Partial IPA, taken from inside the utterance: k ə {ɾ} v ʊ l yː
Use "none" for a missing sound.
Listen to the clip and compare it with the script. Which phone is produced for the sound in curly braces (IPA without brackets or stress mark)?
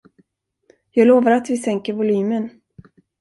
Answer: ɾ